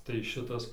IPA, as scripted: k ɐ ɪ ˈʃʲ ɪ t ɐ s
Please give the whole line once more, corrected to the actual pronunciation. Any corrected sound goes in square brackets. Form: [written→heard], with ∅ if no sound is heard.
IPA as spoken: [k→t] ɐ ɪ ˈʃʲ ɪ t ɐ s